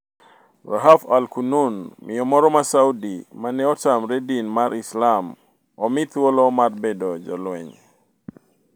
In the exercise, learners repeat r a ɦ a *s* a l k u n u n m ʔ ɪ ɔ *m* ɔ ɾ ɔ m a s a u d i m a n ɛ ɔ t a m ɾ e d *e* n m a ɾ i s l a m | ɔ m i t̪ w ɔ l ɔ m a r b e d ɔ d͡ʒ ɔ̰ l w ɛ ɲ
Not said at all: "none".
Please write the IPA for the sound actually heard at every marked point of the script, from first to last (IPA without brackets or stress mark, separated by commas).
f, m, i